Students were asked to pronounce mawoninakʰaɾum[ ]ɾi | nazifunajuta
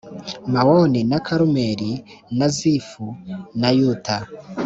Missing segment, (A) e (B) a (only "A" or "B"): A